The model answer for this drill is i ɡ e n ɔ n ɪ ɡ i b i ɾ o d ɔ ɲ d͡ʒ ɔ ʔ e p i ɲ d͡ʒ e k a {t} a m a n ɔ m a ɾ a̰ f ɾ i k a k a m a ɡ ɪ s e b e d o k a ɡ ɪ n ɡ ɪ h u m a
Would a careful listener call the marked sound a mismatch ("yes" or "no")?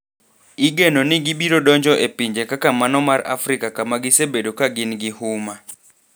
yes